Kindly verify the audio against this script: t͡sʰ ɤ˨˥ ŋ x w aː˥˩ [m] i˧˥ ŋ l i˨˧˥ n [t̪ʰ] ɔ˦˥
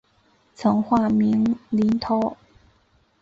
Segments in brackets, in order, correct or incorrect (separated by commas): correct, correct